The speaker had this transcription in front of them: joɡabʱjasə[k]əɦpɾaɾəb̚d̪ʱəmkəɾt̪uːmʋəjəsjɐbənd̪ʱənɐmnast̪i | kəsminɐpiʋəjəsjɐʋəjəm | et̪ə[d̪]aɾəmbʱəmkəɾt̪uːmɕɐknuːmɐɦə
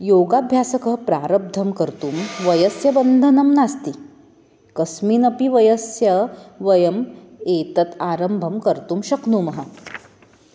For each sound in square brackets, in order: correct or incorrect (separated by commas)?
correct, incorrect